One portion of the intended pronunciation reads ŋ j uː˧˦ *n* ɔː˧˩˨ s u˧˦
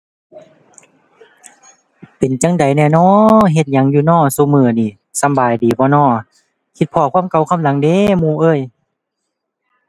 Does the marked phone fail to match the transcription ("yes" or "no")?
no